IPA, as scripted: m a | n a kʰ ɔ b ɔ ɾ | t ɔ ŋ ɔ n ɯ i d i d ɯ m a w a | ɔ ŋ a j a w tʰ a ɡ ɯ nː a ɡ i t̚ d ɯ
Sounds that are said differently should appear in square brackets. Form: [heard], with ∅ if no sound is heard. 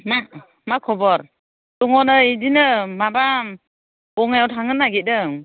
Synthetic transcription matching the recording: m a | [m] a kʰ ɔ b ɔ ɾ | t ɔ ŋ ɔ n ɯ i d i [n] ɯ m a [b] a | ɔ ŋ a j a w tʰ a [ŋ] ɯ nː a ɡ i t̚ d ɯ